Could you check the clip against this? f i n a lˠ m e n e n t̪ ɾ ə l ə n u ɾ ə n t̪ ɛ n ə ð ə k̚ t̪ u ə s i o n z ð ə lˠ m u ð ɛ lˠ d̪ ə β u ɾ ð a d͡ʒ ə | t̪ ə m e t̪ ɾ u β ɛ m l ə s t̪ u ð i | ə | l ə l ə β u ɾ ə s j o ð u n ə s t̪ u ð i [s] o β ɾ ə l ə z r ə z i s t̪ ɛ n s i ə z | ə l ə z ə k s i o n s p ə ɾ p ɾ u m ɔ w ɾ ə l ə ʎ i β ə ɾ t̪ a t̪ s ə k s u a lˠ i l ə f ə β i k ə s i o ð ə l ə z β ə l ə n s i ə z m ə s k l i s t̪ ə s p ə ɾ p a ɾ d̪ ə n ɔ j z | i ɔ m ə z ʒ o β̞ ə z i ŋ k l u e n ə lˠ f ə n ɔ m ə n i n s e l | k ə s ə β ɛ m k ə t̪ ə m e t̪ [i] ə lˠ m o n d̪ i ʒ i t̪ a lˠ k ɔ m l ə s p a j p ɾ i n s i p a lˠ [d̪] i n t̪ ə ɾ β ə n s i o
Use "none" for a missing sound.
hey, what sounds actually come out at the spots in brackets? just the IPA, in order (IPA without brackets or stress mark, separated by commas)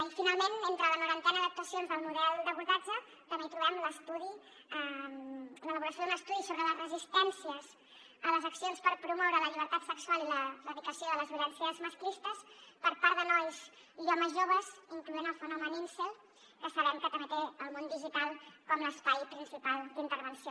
s, e, d̪